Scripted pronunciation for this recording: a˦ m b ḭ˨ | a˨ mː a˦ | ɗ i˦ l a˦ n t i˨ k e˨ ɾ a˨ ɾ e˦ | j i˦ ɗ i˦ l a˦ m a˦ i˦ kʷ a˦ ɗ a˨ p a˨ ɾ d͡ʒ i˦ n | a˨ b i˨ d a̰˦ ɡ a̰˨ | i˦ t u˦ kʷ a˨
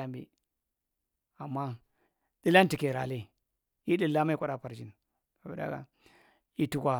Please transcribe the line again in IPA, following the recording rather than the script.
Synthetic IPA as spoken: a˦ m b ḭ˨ | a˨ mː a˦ | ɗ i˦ l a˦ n t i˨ k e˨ ɾ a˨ l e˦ | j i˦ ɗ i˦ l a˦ m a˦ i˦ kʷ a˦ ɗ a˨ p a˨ ɾ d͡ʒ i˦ n | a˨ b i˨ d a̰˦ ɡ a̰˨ | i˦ t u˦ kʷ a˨